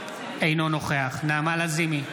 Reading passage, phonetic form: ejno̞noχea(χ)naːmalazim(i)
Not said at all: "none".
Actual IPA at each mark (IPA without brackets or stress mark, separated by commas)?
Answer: χ, i